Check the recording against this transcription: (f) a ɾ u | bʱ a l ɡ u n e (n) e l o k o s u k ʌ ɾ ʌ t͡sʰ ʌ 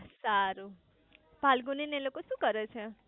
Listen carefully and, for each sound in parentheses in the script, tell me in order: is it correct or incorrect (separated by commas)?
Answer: incorrect, correct